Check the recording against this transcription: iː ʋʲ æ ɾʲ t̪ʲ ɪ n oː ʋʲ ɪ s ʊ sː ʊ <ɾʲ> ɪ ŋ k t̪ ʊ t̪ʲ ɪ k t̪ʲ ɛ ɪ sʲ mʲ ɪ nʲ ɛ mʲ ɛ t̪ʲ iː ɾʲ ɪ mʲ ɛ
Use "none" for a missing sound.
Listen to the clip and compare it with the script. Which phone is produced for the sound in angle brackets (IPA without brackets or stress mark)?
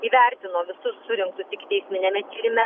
ɾʲ